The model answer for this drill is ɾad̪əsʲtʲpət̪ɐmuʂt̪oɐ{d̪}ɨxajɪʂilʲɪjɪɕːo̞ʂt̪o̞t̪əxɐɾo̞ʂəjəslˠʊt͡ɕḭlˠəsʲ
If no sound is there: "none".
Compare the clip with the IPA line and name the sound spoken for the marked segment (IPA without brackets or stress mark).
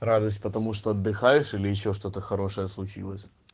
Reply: d̪ː